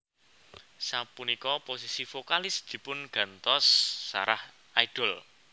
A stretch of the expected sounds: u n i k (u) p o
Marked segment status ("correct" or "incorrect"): incorrect